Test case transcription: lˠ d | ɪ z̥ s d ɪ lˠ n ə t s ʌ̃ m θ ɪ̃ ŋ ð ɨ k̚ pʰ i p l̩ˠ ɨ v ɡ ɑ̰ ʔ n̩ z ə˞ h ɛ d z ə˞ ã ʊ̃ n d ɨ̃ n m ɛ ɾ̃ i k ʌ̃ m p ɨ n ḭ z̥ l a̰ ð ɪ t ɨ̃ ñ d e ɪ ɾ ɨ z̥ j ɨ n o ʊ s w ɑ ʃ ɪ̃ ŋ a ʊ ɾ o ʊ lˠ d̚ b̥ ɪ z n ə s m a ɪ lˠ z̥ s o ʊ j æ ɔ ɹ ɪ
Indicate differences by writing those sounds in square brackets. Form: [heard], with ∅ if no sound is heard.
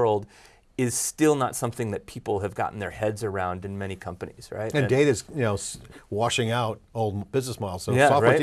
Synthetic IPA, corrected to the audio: lˠ d | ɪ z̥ s [t] ɪ lˠ n ə t s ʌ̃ m θ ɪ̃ ŋ ð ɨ [t̚] pʰ i p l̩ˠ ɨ v ɡ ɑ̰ ʔ n̩ [ð] ə˞ h ɛ d z ə˞ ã ʊ̃ n d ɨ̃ n m ɛ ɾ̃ i [kʰ] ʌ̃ m p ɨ n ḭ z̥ [ɹ] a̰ [∅] ɪ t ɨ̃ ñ d e ɪ ɾ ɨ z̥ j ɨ n o ʊ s w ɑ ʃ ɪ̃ ŋ a ʊ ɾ o ʊ lˠ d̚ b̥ ɪ z n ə s m a ɪ lˠ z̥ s o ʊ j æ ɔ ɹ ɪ

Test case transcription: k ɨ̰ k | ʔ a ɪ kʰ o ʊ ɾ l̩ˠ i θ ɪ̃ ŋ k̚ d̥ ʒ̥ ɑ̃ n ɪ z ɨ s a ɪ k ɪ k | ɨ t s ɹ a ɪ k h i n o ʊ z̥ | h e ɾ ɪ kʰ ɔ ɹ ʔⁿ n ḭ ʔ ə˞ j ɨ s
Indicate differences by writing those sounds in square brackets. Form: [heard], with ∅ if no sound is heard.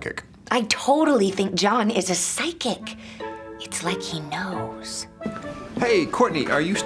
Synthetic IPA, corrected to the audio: k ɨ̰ k | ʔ a ɪ [tʰ] o ʊ ɾ l̩ˠ i θ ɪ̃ ŋ k̚ d̥ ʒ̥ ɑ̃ n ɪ z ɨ s a ɪ k ɪ k | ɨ t s [l] a ɪ k h i n o ʊ z̥ | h e [∅] ɪ kʰ ɔ ɹ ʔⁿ n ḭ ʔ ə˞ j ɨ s

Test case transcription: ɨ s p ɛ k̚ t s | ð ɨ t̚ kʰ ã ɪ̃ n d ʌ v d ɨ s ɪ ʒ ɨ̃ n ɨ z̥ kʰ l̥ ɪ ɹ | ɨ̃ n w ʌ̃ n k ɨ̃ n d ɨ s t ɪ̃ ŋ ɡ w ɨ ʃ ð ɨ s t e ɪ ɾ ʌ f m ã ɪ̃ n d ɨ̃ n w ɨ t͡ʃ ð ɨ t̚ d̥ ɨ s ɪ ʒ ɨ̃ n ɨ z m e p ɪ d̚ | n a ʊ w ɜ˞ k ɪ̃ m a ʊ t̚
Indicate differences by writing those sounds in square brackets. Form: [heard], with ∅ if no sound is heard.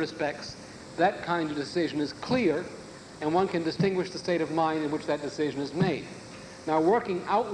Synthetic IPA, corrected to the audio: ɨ s p ɛ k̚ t s | ð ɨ t̚ kʰ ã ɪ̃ n d ʌ v d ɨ s ɪ ʒ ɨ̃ n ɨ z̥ kʰ l̥ ɪ ɹ | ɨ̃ n w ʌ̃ n k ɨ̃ n d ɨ s t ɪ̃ ŋ ɡ w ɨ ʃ ð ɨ s t e ɪ ɾ ʌ [v] m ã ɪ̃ n d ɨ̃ n w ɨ t͡ʃ ð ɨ t̚ d̥ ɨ s ɪ ʒ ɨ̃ n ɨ z m e [∅] ɪ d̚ | n a ʊ w ɜ˞ k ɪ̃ [ŋ] a ʊ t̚

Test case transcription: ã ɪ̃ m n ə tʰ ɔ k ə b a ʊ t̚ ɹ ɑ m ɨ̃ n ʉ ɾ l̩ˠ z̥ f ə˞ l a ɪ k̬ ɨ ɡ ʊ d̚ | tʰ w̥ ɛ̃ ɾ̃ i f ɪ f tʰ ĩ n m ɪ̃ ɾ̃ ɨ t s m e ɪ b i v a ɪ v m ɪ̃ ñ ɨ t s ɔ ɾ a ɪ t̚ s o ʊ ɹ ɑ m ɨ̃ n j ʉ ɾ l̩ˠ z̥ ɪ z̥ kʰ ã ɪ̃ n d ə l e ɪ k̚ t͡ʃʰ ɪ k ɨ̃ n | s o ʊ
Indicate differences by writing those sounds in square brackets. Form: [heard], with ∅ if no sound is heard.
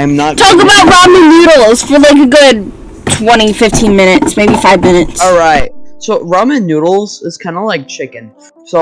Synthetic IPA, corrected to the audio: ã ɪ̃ m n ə tʰ ɔ k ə b a ʊ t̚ ɹ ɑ m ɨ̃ n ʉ ɾ l̩ˠ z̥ f ə˞ l a ɪ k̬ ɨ ɡ ʊ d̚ | tʰ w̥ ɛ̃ ɾ̃ i f ɪ f tʰ ĩ n m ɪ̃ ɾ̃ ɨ t s m e ɪ b i [f] a ɪ v m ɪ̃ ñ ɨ t s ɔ [ɹ] a ɪ t̚ s o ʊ ɹ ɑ m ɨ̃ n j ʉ ɾ l̩ˠ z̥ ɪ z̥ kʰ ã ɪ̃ n d ə l [a] ɪ k̚ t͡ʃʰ ɪ k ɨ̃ n | s o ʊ

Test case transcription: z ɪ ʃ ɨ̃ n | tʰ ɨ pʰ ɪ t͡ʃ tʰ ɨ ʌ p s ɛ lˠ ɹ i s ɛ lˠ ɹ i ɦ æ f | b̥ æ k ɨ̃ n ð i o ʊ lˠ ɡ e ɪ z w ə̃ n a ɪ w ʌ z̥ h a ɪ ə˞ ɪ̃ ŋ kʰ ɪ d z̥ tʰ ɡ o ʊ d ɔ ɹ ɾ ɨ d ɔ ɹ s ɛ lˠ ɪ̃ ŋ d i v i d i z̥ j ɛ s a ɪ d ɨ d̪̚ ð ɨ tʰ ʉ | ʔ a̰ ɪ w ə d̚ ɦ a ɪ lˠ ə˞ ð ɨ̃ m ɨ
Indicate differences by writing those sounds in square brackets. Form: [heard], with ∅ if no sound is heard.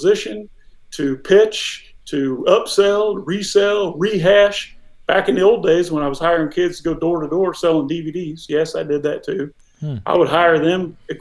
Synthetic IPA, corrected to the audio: z ɪ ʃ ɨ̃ n | tʰ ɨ pʰ ɪ t͡ʃ tʰ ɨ ʌ p s ɛ lˠ ɹ i s ɛ lˠ ɹ i ɦ æ [ʃ] | b̥ æ k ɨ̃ n ð i o ʊ lˠ [d] e ɪ z w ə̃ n a ɪ w ʌ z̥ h a ɪ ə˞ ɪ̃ ŋ kʰ ɪ d z̥ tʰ ɡ o ʊ d ɔ ɹ ɾ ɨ d ɔ ɹ s ɛ lˠ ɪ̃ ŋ d i v i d i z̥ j ɛ s a ɪ d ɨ d̪̚ ð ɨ tʰ ʉ | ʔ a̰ ɪ w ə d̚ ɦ a ɪ [∅] ə˞ ð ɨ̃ m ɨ

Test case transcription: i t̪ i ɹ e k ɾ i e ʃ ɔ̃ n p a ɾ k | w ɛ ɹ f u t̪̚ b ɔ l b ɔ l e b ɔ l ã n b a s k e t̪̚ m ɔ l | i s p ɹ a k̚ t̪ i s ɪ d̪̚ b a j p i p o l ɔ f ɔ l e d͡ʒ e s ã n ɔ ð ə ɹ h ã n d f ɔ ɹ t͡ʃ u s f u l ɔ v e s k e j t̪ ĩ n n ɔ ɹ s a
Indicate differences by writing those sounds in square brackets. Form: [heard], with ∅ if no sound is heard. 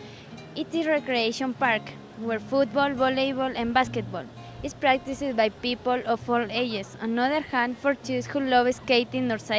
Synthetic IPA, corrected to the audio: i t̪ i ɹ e k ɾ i e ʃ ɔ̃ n p a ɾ k | w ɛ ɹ f u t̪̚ b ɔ l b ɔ l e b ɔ l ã n b a s k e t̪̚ [b] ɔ l | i s p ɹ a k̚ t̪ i s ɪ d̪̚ b a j p i p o l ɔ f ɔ l e d͡ʒ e s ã n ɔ ð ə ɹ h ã n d f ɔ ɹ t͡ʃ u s [h] u l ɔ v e s k e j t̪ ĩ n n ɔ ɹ s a

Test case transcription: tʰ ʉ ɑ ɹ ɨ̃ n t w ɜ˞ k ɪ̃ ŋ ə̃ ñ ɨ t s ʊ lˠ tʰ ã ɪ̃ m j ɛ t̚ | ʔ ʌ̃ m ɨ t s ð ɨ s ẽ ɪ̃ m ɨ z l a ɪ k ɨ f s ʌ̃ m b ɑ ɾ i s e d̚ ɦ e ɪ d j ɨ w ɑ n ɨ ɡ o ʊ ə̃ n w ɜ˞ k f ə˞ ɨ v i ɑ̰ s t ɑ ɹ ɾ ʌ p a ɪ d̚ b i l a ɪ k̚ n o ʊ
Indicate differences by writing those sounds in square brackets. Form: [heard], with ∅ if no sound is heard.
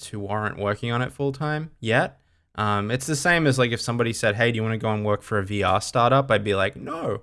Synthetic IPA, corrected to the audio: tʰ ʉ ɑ ɹ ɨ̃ n [ʔ] w ɜ˞ k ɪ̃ ŋ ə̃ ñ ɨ t [f] ʊ lˠ tʰ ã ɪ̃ m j ɛ t̚ | ʔ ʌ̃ m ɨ t s ð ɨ s ẽ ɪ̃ m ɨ z l a ɪ k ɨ f s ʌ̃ m b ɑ ɾ i s [ɛ] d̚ ɦ e ɪ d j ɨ w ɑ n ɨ ɡ o ʊ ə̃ n w ɜ˞ k f ə˞ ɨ v i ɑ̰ s t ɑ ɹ ɾ ʌ p a ɪ d̚ b i l a ɪ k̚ n o ʊ

